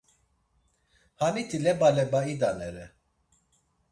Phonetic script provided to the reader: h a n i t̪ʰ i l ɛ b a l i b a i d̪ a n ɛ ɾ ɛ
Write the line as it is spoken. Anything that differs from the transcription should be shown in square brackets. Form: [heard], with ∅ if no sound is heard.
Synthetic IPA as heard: h a n i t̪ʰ i l ɛ b a l [ɛ] b a i d̪ a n ɛ ɾ ɛ